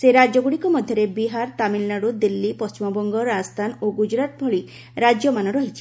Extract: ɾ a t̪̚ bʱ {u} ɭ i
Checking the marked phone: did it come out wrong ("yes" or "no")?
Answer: yes